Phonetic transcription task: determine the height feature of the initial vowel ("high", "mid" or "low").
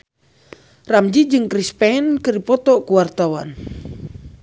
low